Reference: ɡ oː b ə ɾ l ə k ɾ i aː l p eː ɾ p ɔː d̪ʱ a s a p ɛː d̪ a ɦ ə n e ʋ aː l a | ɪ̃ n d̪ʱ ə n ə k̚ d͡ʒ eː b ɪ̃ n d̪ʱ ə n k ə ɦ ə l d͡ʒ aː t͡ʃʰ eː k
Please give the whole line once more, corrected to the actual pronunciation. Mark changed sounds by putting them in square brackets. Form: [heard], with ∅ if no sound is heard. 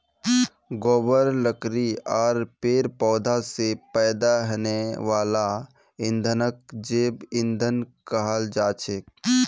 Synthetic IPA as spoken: ɡ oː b ə ɾ l ə k ɾ i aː [ɾ] p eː ɾ p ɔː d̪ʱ a s [e] p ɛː d̪ a ɦ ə n e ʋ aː l a | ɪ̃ n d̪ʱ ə n ə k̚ d͡ʒ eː b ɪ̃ n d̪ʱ ə n k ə ɦ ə l d͡ʒ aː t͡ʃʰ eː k

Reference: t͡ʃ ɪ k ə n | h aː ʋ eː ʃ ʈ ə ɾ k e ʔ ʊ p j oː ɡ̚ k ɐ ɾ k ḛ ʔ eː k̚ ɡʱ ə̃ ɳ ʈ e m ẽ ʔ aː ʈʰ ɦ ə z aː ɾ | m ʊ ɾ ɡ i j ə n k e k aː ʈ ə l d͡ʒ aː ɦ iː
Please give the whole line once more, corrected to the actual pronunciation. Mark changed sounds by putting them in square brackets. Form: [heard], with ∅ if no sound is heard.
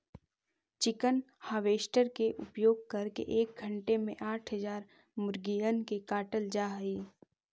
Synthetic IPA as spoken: t͡ʃ ɪ k ə n | h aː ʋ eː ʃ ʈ ə ɾ k e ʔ ʊ p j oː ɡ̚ k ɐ ɾ k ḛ ʔ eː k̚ ɡʱ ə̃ ɳ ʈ e m ẽ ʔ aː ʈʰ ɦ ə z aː ɾ | m ʊ ɾ ɡ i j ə n k e k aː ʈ ə l d͡ʒ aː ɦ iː

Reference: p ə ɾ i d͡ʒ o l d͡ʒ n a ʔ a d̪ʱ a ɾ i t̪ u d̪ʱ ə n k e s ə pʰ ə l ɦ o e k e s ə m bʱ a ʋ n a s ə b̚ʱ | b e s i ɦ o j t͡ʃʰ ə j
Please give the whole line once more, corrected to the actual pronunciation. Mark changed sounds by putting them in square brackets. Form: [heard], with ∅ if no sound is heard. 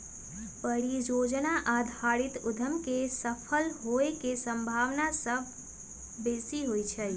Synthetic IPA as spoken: p ə ɾ i d͡ʒ o [∅] d͡ʒ n a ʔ a d̪ʱ a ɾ i t̪ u d̪ʱ ə [m] k e s ə pʰ ə l ɦ o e k e s ə m bʱ a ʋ n a s ə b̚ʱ | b e s i ɦ o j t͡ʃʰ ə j

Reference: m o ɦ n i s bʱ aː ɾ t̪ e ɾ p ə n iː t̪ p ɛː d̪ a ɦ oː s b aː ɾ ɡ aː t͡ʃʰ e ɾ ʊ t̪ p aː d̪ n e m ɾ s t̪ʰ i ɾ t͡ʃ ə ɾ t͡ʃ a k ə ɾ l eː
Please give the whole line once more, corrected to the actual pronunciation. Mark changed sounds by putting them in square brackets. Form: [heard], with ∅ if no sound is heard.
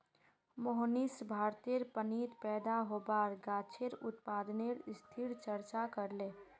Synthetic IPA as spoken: m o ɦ n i s bʱ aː ɾ t̪ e ɾ p ə n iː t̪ p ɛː d̪ a ɦ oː [∅] b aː ɾ ɡ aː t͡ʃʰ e ɾ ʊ t̪ p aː d̪ n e [∅] ɾ s t̪ʰ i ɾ t͡ʃ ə ɾ t͡ʃ a k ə ɾ l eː

